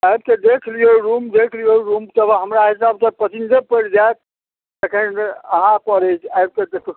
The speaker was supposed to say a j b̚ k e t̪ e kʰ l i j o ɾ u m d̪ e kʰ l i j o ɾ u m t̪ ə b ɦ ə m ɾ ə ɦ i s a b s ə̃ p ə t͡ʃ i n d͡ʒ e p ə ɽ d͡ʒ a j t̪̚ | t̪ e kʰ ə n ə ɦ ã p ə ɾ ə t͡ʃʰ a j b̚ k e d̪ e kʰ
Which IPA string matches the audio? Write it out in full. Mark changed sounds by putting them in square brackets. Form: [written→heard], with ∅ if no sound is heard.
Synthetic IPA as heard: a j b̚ k e [t̪→d̪] e kʰ l i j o ɾ u m d̪ e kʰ l i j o ɾ u m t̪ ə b ɦ ə m ɾ [ə→a] ɦ i s a b s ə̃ p ə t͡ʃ i n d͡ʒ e p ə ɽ d͡ʒ a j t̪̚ | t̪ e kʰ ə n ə ɦ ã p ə ɾ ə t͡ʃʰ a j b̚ k e d̪ e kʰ